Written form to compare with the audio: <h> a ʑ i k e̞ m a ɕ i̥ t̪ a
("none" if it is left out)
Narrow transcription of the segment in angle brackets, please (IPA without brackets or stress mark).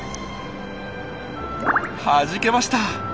h